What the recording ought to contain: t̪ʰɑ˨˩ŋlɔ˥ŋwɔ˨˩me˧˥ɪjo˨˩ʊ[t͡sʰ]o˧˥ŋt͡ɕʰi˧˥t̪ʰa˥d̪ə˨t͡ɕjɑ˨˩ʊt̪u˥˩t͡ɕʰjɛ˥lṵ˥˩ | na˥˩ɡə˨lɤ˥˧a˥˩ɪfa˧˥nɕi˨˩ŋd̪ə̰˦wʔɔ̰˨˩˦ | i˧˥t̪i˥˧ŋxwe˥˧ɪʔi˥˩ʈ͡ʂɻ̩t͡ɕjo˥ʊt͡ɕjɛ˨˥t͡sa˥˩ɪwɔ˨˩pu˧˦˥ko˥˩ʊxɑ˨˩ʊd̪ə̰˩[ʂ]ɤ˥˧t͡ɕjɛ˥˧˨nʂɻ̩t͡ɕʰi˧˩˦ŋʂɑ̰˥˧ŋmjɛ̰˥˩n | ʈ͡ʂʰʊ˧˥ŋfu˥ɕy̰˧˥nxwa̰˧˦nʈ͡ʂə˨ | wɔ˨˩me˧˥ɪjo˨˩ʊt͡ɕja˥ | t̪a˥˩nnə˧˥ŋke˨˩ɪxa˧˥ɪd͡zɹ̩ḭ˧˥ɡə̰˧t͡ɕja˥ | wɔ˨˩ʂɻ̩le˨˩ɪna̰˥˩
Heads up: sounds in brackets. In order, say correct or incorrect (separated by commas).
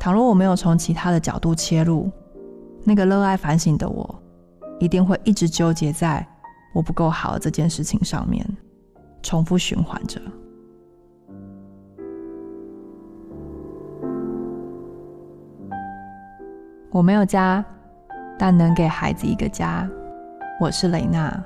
correct, incorrect